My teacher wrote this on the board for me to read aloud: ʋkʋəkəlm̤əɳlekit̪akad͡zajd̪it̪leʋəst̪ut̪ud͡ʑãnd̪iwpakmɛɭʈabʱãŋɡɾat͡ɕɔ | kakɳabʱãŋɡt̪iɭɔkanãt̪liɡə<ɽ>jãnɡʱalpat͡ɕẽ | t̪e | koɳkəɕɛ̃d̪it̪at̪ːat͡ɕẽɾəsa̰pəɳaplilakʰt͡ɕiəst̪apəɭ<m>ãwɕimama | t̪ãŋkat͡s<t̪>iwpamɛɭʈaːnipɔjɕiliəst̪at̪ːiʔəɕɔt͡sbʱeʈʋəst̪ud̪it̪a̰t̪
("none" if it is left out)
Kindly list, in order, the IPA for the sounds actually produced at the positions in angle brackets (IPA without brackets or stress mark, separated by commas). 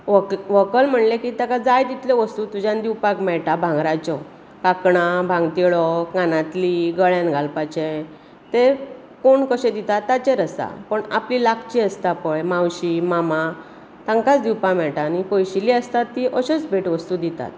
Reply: ɭ, m, d̪